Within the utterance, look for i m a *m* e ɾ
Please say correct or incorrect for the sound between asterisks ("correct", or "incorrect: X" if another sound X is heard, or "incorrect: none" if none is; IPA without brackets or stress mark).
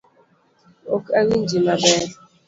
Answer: incorrect: b